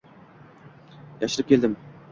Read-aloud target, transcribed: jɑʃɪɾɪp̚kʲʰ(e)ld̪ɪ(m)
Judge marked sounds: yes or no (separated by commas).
yes, yes